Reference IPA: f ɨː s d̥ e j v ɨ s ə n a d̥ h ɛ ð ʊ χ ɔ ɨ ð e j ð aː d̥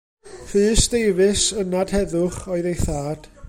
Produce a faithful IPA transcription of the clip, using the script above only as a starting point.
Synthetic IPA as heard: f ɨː s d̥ e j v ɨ s ə n a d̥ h ɛ ð ʊ χ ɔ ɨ ð e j θ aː d̥